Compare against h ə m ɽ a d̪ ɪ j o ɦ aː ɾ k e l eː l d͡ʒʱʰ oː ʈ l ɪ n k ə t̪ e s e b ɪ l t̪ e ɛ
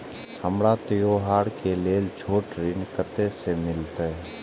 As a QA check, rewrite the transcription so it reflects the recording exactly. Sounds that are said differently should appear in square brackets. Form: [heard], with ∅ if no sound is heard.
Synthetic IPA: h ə m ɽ a [t̪] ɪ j o ɦ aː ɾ k e l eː l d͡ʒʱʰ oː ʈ [ɾ] ɪ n k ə t̪ e s e [m] ɪ l t̪ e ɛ